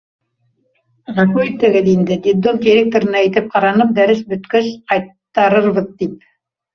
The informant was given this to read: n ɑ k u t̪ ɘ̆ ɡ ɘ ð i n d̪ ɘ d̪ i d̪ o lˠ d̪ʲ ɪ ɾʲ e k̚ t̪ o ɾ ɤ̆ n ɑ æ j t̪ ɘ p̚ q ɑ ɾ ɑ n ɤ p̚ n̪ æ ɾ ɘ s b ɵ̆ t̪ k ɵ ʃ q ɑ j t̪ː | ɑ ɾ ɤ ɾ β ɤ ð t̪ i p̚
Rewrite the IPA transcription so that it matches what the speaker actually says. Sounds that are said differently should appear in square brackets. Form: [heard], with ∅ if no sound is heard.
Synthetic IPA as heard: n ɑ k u t̪ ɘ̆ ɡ ɘ ð i n d̪ ɘ d̪ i d̪ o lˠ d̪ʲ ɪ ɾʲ e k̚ t̪ o ɾ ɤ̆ n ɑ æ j t̪ ɘ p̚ q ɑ ɾ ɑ n ɤ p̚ [d̪] æ ɾ ɘ s b ɵ̆ t̪ k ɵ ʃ q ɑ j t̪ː | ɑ ɾ ɤ ɾ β ɤ ð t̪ i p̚